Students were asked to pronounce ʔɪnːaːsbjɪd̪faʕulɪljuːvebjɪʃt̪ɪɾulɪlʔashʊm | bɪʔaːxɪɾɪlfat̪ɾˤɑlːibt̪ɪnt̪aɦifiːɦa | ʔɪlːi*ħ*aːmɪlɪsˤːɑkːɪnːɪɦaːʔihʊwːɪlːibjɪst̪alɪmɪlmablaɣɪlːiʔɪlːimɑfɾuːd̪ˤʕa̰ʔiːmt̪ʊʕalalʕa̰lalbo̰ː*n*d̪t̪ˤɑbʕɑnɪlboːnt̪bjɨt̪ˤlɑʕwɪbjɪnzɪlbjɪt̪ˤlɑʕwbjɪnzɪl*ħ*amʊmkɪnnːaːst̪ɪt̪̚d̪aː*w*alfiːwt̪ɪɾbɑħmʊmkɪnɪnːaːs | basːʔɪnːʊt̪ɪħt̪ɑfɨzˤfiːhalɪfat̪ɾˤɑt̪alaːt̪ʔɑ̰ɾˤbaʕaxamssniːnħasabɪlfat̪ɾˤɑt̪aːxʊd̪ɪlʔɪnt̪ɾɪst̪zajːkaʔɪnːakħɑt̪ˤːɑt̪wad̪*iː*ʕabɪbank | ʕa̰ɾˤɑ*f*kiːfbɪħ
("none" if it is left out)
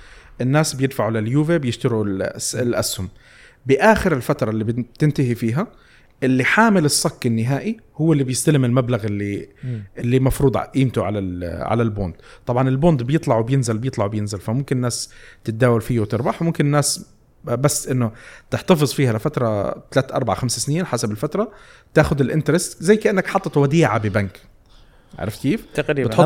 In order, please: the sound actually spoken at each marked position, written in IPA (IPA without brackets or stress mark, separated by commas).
ħ, n, f, w, iː, f